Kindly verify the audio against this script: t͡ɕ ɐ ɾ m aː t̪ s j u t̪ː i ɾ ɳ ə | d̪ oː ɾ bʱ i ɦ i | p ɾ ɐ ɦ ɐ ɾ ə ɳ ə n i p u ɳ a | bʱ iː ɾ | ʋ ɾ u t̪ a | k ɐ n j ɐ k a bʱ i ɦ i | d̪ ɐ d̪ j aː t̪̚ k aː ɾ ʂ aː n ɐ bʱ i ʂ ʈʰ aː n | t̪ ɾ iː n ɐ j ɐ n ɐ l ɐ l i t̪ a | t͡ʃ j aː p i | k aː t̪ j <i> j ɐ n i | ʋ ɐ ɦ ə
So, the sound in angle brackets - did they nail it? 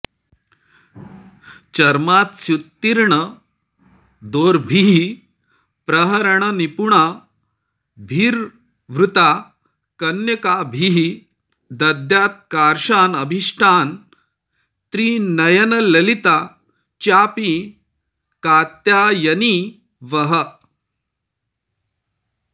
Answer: no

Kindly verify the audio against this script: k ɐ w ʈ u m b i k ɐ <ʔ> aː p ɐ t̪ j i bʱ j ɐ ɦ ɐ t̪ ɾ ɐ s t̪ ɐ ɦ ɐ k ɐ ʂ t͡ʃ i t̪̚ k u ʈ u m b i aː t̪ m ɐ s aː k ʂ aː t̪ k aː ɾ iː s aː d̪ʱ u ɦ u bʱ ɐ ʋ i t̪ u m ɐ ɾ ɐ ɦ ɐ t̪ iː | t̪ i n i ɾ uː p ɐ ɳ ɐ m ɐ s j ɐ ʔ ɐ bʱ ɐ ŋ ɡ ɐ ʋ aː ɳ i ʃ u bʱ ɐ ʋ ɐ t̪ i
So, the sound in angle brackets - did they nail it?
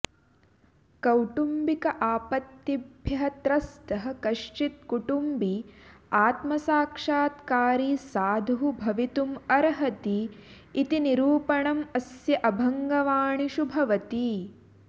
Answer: yes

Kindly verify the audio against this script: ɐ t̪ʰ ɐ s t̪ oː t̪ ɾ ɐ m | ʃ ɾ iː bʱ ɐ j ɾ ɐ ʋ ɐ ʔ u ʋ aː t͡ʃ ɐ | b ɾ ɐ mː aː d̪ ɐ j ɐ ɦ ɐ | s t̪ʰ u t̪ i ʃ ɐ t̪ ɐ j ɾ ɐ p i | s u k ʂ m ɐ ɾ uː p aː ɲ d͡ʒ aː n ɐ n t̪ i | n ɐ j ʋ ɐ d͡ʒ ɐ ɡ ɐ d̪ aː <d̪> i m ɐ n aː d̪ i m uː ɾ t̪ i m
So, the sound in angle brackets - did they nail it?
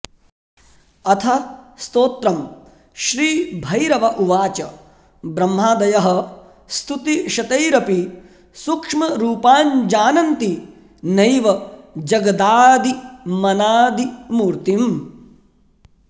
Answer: yes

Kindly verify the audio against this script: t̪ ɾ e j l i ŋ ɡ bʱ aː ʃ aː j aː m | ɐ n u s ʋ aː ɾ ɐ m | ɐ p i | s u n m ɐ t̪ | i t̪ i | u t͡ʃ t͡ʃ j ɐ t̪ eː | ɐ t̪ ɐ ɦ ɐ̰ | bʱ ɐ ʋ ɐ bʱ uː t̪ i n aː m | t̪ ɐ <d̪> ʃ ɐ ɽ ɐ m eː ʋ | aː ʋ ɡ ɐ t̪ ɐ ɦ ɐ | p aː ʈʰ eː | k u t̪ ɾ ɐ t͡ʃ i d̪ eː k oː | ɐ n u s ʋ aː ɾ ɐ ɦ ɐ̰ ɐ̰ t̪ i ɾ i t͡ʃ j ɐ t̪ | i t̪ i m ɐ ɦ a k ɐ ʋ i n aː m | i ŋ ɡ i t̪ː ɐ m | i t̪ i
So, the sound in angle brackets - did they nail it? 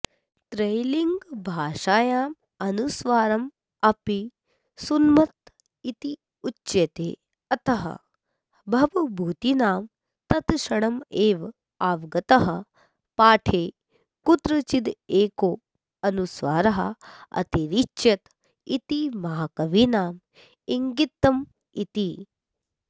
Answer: no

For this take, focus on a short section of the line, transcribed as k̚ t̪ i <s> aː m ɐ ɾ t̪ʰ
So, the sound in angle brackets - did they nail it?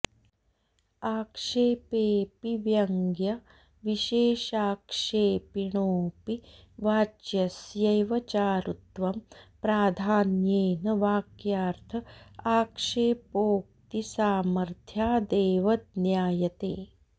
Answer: yes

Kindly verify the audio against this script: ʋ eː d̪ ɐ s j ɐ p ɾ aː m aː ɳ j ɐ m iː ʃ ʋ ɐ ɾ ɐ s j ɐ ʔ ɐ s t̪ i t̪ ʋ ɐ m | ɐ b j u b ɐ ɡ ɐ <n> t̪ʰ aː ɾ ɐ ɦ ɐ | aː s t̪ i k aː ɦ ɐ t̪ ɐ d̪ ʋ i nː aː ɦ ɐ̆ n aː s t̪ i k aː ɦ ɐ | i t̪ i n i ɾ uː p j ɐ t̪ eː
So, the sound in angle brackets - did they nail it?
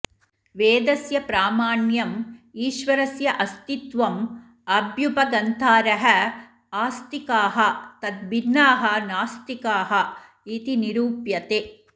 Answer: yes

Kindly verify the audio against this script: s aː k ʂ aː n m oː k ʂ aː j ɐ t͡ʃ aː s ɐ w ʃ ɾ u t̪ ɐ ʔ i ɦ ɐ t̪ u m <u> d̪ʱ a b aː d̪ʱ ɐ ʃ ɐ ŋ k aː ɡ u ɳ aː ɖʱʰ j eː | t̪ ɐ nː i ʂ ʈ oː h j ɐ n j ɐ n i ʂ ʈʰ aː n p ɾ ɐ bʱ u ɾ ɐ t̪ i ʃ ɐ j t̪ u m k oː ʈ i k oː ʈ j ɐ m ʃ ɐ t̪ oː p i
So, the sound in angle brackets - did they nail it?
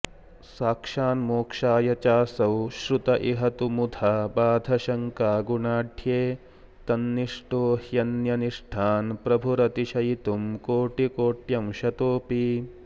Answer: yes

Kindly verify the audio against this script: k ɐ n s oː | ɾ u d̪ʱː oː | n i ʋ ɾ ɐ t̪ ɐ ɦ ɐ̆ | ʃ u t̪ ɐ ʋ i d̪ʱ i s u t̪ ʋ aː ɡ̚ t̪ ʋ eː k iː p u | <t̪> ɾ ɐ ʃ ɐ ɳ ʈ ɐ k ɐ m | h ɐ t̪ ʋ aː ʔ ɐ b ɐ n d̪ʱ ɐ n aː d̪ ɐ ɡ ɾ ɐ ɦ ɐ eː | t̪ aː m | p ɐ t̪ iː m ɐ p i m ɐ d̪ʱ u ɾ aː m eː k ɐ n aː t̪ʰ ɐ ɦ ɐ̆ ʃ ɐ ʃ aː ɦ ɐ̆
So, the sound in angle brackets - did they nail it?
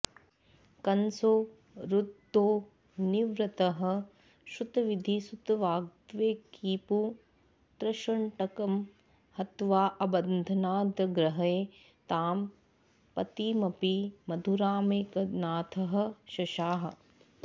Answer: yes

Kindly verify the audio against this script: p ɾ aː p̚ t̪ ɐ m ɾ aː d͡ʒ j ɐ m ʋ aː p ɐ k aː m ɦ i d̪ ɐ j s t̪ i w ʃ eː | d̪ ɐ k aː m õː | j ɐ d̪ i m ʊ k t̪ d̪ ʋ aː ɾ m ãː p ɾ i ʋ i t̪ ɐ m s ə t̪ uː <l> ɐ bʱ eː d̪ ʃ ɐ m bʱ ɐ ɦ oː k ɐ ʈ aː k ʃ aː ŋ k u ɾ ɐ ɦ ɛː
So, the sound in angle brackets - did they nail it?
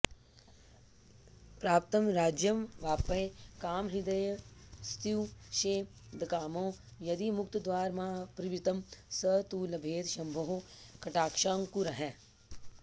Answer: yes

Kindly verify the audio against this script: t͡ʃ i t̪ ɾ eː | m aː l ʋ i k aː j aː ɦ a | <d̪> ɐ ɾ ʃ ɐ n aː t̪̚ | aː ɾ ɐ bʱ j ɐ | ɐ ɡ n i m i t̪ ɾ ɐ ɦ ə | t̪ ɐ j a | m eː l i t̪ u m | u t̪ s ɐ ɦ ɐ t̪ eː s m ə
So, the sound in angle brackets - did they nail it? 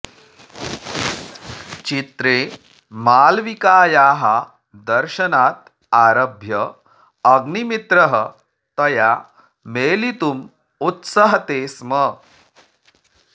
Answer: yes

